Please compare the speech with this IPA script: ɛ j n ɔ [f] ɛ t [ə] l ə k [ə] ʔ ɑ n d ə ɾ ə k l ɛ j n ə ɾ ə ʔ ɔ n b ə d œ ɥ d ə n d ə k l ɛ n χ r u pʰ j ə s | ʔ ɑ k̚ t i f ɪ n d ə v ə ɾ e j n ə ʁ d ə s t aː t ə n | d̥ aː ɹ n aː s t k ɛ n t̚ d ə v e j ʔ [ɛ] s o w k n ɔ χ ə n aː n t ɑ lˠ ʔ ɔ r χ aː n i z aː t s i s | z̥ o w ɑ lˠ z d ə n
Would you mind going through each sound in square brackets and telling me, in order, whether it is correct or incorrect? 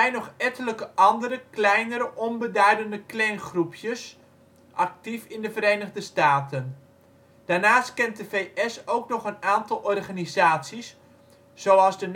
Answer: incorrect, correct, correct, correct

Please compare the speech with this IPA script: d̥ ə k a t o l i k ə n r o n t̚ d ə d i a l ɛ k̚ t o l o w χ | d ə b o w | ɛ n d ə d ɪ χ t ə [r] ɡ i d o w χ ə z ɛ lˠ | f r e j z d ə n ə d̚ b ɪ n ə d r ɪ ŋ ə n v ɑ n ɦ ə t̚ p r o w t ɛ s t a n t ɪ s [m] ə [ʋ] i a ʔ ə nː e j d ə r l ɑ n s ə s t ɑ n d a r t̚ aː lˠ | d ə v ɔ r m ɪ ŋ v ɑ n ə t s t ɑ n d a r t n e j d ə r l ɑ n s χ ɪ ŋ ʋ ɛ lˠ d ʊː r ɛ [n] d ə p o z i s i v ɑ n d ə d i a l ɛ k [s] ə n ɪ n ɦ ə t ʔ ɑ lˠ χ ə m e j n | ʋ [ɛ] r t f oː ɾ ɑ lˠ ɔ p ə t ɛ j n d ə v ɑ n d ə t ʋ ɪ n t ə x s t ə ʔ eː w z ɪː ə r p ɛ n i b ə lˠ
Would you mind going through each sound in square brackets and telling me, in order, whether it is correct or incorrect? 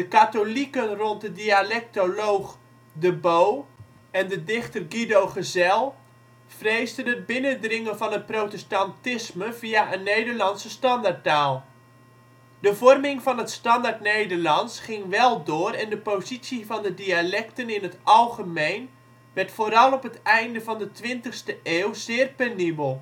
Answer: correct, correct, incorrect, correct, incorrect, correct

